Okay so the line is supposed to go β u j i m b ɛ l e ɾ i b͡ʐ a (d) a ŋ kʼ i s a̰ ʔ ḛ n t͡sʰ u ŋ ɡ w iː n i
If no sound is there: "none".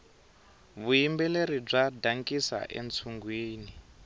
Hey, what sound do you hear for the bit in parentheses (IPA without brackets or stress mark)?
d